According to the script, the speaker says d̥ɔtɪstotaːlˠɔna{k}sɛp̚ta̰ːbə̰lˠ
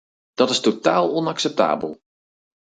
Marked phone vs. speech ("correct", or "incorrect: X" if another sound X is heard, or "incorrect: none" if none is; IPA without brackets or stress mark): correct